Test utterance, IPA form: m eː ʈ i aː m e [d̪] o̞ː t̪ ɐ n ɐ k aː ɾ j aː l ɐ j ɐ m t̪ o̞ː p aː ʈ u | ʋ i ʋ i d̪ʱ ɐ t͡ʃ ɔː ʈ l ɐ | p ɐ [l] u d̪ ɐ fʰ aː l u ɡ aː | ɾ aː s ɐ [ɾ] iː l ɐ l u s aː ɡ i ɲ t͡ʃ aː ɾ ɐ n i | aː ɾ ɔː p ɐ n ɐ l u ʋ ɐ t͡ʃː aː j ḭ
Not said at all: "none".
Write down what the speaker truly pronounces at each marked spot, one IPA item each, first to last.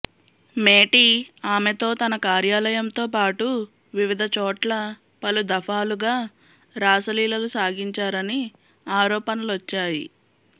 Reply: t̪, l, l

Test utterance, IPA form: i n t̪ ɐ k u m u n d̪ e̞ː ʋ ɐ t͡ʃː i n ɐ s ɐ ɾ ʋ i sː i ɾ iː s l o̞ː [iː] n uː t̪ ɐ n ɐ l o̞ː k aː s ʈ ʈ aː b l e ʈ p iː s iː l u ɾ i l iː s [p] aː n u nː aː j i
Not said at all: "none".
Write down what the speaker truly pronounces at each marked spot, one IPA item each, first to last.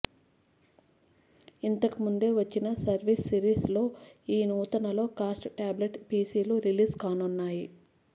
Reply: iː, k

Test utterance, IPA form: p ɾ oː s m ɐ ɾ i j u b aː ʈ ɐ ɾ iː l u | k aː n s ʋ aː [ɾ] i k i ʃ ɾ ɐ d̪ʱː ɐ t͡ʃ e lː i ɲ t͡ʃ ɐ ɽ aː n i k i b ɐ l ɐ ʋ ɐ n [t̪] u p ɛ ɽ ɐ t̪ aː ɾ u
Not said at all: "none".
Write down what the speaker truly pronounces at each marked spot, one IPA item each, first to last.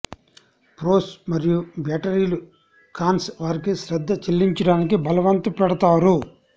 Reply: ɾ, t̪

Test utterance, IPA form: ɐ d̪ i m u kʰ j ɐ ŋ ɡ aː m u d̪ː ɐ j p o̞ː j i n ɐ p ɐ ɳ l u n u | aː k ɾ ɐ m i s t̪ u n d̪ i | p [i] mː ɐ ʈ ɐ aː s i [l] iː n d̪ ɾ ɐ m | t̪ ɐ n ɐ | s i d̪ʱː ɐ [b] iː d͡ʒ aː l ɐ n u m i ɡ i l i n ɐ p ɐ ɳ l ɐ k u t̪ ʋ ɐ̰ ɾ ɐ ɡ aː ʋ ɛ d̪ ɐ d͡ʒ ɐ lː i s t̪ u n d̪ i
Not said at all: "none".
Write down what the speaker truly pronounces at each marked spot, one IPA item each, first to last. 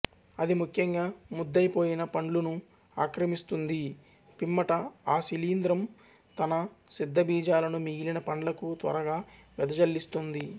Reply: i, l, b

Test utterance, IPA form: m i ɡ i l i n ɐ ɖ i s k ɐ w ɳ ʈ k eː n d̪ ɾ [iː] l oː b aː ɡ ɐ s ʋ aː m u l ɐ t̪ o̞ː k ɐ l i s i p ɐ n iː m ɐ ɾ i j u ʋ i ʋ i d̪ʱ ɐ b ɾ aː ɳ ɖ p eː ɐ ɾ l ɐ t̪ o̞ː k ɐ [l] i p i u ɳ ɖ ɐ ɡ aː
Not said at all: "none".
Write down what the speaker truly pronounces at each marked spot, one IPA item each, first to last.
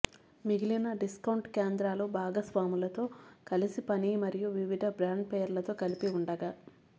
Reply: aː, l

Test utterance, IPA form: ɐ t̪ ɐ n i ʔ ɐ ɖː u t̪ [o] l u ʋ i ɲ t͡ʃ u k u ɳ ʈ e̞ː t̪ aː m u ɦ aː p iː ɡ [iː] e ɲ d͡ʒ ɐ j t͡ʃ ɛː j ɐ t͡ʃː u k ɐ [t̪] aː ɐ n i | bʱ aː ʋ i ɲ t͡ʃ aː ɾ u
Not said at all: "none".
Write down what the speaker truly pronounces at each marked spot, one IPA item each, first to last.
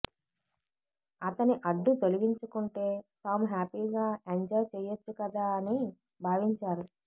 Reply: o, aː, d̪

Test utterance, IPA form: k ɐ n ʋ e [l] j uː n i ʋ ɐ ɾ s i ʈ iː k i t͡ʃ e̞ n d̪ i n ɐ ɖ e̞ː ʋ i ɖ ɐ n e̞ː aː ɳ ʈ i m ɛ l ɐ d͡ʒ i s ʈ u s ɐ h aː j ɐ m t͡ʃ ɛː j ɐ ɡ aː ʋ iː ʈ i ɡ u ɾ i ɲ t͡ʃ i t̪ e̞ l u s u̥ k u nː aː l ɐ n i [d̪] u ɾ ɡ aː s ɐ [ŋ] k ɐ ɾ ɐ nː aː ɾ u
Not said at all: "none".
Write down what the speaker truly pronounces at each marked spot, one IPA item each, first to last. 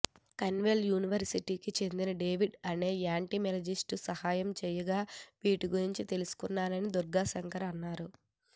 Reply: l, d̪, ŋ

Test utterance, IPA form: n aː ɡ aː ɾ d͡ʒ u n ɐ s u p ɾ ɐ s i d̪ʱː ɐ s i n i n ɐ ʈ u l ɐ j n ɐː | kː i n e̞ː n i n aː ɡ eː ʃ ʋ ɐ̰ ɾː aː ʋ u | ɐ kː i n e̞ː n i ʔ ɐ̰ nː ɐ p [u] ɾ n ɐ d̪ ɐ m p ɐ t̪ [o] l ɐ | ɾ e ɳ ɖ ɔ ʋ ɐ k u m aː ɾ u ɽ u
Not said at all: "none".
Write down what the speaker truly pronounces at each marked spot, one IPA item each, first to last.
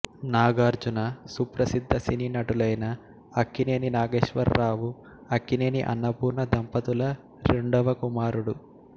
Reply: uː, u

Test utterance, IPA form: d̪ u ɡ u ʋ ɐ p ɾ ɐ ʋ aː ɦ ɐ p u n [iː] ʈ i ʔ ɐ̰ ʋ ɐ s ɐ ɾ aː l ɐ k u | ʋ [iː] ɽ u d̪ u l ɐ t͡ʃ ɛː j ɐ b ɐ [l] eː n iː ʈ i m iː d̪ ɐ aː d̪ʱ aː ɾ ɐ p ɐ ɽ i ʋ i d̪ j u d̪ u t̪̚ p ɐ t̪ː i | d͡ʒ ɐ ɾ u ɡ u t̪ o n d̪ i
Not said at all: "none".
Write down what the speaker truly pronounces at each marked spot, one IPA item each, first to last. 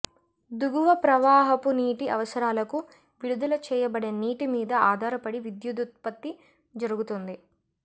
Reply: iː, i, ɽ

